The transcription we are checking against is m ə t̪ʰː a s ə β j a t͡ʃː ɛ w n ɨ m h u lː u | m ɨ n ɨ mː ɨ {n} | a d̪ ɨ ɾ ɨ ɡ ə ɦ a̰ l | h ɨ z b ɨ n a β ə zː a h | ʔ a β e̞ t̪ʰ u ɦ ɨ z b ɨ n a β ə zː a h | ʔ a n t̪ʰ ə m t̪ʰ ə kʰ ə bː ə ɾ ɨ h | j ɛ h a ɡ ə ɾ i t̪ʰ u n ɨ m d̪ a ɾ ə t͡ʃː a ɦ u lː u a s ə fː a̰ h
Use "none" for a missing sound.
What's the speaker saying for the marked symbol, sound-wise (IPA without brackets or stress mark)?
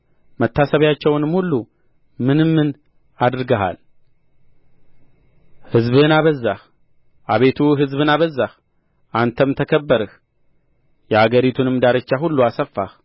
n